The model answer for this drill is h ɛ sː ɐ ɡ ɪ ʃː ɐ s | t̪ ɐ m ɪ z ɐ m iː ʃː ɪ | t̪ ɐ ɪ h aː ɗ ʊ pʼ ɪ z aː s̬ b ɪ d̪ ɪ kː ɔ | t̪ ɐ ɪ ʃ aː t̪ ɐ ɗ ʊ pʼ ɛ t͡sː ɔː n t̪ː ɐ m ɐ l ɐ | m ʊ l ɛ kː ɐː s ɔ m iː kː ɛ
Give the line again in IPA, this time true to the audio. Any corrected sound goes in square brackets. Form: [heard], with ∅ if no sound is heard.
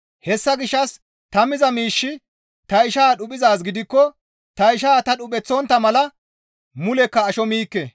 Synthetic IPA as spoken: h ɛ sː ɐ ɡ ɪ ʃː ɐ s | t̪ ɐ m ɪ z ɐ m iː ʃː ɪ | t̪ ɐ ɪ [ʃ] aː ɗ ʊ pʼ ɪ z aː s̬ [ɡ] ɪ d̪ ɪ kː ɔ | t̪ ɐ ɪ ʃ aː t̪ ɐ ɗ ʊ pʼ ɛ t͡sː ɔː n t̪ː ɐ m ɐ l ɐ | m ʊ l ɛ kː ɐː [ʃ] ɔ m iː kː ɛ